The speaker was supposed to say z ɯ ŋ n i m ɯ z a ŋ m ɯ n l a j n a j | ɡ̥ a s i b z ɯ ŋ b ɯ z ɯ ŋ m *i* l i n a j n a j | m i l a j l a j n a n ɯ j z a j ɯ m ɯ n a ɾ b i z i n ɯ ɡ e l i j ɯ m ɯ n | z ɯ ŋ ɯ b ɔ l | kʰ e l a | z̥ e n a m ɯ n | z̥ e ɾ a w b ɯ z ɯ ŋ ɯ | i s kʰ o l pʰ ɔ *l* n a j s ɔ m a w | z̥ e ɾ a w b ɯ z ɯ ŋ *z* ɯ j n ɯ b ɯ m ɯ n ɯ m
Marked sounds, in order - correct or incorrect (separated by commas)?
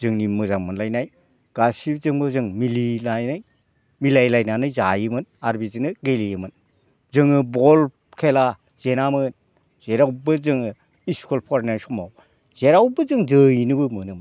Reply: correct, incorrect, correct